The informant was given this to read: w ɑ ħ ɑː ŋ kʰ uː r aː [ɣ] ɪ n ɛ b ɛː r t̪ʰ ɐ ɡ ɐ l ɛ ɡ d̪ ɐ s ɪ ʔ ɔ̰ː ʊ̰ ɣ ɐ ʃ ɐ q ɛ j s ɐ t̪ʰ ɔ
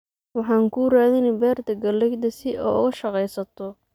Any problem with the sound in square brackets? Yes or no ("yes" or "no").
yes